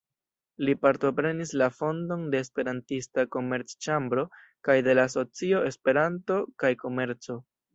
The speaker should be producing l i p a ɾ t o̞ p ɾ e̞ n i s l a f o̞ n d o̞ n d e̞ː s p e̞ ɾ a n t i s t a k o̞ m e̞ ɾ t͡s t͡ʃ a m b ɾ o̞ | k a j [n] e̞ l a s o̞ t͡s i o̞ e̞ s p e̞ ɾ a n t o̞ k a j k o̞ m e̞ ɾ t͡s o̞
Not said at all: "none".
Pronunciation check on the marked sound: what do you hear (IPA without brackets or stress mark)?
d